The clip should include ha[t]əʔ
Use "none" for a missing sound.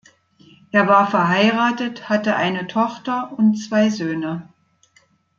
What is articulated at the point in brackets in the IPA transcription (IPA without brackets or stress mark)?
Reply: t